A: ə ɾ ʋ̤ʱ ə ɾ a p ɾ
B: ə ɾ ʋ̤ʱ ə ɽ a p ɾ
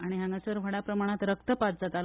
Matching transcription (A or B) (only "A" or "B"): B